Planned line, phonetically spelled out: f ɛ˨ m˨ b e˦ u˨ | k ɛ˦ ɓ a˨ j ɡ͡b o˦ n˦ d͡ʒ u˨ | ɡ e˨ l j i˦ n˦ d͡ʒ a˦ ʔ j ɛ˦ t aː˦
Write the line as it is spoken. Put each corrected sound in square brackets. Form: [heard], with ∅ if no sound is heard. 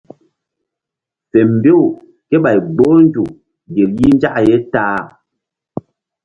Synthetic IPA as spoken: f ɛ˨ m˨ b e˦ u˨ | k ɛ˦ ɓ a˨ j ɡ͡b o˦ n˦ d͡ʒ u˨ | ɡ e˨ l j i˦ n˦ d͡ʒ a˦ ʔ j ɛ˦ t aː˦